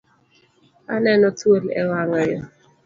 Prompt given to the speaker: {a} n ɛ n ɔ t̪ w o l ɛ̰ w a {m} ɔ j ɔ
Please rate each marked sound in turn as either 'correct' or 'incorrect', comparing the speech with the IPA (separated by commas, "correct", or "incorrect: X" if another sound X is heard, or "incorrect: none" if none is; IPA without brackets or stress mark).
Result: correct, incorrect: ŋ